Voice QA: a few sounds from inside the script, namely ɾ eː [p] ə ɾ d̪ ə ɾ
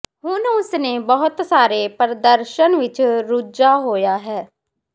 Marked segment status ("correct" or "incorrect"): correct